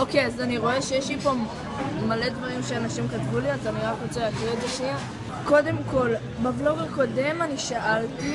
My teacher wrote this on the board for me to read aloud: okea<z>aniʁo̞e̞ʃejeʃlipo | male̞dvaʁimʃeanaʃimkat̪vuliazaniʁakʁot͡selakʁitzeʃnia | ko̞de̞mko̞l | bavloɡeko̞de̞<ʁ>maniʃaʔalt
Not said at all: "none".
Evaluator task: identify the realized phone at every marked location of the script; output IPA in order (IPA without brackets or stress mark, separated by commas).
z, none